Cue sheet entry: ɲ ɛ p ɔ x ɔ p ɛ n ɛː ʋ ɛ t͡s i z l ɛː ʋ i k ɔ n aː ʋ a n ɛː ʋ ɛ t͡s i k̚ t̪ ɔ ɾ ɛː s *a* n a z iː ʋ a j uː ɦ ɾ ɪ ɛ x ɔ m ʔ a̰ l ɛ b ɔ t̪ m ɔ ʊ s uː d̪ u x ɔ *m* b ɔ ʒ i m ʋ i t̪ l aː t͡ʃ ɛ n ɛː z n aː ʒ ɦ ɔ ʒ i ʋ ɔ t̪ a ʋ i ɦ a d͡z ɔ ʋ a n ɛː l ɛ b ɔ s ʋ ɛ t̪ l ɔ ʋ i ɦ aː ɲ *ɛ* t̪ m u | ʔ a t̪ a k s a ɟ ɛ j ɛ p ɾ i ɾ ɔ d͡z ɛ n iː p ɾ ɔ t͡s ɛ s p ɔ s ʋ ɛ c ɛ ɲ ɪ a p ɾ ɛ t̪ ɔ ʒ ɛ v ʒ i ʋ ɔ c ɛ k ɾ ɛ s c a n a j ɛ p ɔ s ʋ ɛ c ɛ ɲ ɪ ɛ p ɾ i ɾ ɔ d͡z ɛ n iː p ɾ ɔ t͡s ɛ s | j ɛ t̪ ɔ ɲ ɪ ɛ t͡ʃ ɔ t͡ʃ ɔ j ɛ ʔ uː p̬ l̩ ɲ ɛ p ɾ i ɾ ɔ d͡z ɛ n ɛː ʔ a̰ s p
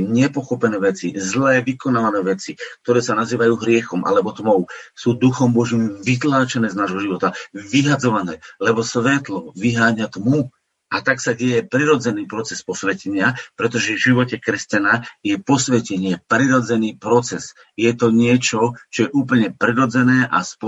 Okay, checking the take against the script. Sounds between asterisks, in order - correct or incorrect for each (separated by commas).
correct, correct, incorrect